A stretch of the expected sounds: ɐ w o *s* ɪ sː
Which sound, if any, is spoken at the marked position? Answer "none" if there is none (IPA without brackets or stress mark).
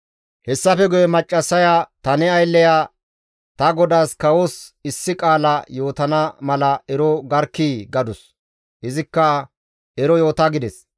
s